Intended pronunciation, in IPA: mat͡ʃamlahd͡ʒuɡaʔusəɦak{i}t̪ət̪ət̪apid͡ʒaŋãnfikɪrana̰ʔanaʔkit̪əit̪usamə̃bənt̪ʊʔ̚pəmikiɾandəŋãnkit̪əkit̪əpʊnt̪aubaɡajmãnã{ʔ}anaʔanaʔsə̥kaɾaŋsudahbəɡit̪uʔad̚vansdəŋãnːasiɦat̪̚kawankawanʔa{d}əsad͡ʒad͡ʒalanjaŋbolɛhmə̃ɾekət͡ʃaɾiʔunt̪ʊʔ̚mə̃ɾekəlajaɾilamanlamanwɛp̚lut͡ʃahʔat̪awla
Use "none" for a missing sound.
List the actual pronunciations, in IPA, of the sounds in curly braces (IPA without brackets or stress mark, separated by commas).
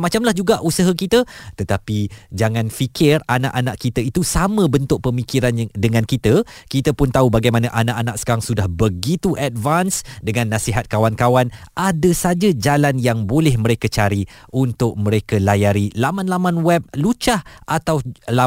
i, ʔ, d